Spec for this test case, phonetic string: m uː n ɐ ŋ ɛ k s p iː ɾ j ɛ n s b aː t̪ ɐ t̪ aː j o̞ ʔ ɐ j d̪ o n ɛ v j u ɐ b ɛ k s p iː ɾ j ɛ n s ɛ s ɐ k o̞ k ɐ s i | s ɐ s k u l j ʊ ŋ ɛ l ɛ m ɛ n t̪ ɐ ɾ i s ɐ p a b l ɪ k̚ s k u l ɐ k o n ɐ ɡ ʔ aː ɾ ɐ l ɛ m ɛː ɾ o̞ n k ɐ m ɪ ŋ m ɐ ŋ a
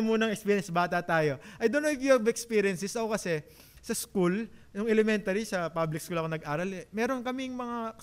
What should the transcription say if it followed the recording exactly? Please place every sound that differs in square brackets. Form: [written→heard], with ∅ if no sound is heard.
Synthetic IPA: m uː n ɐ ŋ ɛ k s p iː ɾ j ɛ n s b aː t̪ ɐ t̪ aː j o̞ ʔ ɐ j d̪ o n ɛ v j u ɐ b ɛ k s p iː ɾ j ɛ n s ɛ s ɐ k o̞ k ɐ s [i→ɛ] | s ɐ s k u l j ʊ ŋ ɛ l ɛ m ɛ n t̪ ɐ ɾ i s ɐ p a b l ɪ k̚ s k u l ɐ k o n ɐ ɡ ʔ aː ɾ ɐ l ɛ m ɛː ɾ o̞ n k ɐ m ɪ ŋ m ɐ ŋ a